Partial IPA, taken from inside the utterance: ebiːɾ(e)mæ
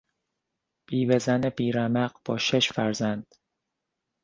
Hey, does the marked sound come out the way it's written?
no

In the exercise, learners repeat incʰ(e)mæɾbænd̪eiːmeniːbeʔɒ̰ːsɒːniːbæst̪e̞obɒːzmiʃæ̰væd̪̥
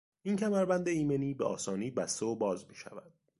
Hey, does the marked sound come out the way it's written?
no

